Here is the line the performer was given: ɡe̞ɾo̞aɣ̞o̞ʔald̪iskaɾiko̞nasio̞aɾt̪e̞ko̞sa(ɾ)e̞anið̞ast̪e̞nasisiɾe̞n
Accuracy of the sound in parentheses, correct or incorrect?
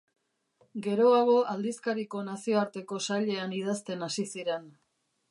incorrect